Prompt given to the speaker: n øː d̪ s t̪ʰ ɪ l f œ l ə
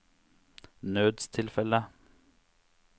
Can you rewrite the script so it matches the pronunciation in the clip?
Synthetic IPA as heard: n øː d̪ s t̪ʰ ɪ l f ɛ l ə